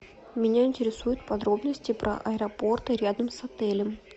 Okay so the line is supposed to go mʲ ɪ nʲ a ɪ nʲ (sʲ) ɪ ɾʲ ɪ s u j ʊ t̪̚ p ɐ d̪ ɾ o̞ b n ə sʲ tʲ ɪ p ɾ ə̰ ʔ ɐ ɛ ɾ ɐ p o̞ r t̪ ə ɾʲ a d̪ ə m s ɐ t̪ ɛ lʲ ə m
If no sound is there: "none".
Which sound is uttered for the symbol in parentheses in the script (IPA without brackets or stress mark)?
tʲ